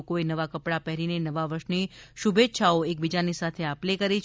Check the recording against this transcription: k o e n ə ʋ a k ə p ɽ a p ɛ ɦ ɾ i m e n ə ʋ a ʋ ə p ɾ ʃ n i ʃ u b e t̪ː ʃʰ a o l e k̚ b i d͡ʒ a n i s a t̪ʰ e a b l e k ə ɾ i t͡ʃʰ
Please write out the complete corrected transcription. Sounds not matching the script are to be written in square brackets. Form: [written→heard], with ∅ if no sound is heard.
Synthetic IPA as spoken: k o e n ə ʋ a k ə p ɽ a p ɛ ɦ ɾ i [m→n] e n ə ʋ a ʋ ə [p→∅] ɾ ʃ n i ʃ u b e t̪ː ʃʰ a o [l→∅] e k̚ b i d͡ʒ a n i s a t̪ʰ e a [b→p] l e k ə ɾ i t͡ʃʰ

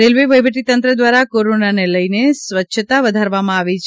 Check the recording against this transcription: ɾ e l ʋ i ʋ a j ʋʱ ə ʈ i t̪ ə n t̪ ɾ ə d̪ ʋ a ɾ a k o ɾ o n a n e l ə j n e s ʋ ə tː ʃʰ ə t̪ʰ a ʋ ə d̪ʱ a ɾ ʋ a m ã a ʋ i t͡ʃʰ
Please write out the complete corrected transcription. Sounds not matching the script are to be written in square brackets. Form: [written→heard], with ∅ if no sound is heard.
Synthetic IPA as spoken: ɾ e l ʋ i ʋ [a→ə] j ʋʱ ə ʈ i t̪ ə n t̪ ɾ ə d̪ ʋ a ɾ a k o ɾ o n a n e l ə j n e s ʋ ə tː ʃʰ ə [t̪ʰ→t̪] a ʋ ə d̪ʱ a ɾ ʋ a m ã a ʋ i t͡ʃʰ

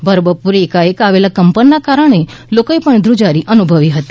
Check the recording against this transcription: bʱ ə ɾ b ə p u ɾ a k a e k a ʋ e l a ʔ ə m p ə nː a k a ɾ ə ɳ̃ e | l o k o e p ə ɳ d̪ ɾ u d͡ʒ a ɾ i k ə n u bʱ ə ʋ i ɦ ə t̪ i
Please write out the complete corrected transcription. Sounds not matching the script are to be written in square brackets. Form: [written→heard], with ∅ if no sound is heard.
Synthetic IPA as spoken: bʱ ə ɾ b ə p u ɾ [a→e] k a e k a ʋ e l a [ʔ→k] ə m p ə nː a k a ɾ ə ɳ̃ e | l o k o e p ə ɳ d̪ ɾ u d͡ʒ a ɾ i [k→ʔ] ə n u bʱ ə ʋ i ɦ ə t̪ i

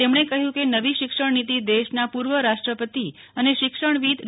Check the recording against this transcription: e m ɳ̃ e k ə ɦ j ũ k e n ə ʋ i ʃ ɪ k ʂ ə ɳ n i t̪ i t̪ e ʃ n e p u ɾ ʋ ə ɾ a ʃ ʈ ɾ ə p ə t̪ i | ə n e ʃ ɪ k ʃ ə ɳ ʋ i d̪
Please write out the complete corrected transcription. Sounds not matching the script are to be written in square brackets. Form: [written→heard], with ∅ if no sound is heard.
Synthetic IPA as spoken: e m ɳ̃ e k ə ɦ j ũ k e n ə ʋ i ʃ ɪ k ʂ ə ɳ n i t̪ i [t̪→d̪] e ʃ n [e→a] p u ɾ ʋ ə ɾ a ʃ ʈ ɾ ə p ə t̪ i | ə n e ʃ ɪ k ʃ ə ɳ ʋ i d̪

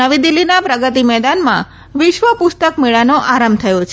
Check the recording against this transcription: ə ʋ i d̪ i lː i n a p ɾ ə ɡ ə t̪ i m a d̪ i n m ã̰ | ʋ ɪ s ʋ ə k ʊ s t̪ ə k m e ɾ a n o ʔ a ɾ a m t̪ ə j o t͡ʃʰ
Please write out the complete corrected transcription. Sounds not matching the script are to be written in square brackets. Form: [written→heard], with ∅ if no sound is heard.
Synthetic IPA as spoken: ə ʋ i d̪ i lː i n a p ɾ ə ɡ ə t̪ i m [a→ɛ] d̪ [i→a] n m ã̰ | ʋ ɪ [s→ʃ] ʋ ə [k→p] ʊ s t̪ ə k m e [ɾ→ɭ] a n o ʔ a ɾ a m [t̪→t̪ʰ] ə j o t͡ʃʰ

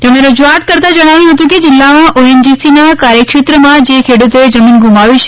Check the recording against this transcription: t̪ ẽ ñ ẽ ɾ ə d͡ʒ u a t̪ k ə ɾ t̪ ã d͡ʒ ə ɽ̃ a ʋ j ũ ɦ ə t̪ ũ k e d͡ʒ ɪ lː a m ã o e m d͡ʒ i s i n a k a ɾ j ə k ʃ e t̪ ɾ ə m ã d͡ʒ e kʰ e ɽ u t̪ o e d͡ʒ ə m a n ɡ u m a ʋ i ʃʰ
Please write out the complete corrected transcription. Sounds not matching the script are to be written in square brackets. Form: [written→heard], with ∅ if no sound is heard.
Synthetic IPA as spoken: t̪ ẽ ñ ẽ ɾ ə d͡ʒ u a t̪ k ə ɾ t̪ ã d͡ʒ ə ɽ̃ a ʋ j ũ ɦ ə t̪ ũ k e d͡ʒ ɪ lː a m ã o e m d͡ʒ i s i n a k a ɾ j ə k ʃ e t̪ ɾ ə m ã d͡ʒ e kʰ e ɽ u t̪ o e d͡ʒ ə m [a→i] n ɡ u m a ʋ i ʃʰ

